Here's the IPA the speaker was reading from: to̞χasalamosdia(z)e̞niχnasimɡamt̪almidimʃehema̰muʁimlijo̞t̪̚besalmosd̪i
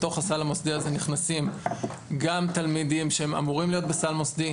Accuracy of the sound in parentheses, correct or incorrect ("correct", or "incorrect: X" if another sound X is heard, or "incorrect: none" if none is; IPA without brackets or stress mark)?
correct